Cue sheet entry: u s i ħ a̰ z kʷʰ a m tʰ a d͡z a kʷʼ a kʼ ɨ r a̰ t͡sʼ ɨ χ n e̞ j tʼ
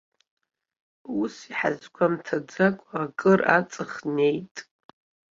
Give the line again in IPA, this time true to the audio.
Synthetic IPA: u s i ħ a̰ z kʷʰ a m tʰ a d͡z a kʷʼ a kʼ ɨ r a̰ t͡sʼ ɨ χ n e̞ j tʼ